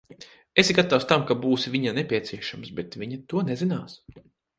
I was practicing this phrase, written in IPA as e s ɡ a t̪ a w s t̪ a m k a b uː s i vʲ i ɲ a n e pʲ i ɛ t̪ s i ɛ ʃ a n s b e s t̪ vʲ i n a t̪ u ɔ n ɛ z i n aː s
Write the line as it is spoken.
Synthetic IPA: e s ɡ a t̪ a w s t̪ a m k a b uː s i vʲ i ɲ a n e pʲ i ɛ t̪ s i ɛ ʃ a m s b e t̪ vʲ i ɲ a t̪ u ɔ n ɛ z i n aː s